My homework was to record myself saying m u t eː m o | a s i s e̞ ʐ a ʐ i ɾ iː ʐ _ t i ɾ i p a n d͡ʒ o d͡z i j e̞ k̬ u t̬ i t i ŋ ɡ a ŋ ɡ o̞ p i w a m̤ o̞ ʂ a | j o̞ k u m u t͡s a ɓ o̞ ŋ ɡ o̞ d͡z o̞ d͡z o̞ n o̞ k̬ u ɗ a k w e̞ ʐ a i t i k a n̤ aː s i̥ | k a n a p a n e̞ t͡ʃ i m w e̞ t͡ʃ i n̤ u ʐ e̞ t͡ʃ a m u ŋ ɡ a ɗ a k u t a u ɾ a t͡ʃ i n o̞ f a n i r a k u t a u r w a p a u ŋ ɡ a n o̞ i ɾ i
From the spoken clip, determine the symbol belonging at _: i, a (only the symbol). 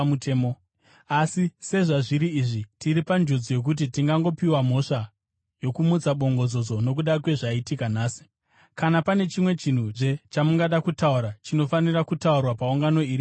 i